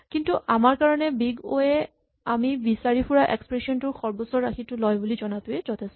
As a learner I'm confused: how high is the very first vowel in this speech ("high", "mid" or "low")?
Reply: high